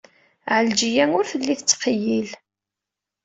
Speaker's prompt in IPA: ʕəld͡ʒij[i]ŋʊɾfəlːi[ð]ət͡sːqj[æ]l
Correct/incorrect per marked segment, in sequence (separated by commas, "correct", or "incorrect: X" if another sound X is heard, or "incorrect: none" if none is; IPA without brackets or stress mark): incorrect: æ, incorrect: θ, incorrect: i